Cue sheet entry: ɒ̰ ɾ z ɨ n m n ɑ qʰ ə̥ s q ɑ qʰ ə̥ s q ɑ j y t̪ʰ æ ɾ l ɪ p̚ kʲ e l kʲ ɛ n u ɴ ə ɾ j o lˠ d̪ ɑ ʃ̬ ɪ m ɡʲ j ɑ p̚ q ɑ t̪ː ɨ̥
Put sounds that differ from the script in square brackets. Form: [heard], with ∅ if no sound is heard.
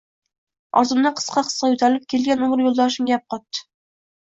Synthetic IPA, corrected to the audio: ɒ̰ ɾ z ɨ [∅] m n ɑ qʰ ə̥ s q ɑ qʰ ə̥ s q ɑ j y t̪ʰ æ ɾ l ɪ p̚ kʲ e l [ɡʲ] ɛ n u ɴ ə ɾ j o lˠ d̪ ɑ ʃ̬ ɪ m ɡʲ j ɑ p̚ q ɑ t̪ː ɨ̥

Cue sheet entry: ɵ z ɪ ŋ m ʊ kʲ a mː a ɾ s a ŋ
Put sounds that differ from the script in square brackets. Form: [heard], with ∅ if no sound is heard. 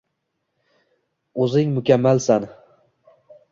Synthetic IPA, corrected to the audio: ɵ z ɪ ŋ m ʊ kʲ a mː a [l] s a [n]

